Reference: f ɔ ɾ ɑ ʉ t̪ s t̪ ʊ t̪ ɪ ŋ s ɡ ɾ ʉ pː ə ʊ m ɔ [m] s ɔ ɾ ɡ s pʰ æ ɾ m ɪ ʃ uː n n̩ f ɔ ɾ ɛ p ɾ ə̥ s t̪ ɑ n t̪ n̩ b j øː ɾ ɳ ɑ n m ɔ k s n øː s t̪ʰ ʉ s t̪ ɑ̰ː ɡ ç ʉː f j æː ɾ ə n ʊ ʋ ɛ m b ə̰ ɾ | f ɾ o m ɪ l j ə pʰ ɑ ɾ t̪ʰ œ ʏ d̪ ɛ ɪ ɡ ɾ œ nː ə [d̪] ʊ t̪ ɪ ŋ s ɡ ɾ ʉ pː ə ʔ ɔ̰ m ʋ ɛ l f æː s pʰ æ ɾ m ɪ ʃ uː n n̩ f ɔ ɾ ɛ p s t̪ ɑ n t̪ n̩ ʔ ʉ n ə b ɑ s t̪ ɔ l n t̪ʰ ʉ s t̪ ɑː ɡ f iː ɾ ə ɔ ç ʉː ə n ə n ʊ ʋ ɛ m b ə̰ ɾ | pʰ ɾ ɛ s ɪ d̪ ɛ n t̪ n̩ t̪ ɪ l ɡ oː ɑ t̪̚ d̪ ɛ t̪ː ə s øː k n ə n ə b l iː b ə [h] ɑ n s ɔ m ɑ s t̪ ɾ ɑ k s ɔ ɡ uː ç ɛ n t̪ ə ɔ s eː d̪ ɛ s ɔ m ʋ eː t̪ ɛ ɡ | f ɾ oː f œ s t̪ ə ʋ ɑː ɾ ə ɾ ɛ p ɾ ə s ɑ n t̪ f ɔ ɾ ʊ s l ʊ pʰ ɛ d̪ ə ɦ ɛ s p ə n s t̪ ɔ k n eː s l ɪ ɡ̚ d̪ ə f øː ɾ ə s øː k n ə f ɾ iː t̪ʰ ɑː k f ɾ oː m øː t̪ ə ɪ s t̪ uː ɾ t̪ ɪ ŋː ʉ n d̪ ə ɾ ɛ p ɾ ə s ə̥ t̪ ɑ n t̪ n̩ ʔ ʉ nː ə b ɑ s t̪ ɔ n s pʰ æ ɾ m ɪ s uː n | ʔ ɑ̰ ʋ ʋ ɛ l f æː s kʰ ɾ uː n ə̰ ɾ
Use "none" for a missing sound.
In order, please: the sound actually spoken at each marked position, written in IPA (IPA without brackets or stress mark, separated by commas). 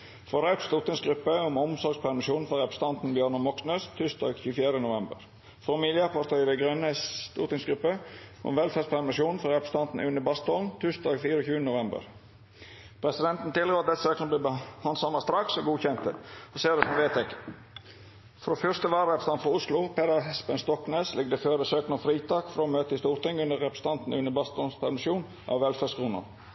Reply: m, t̪, h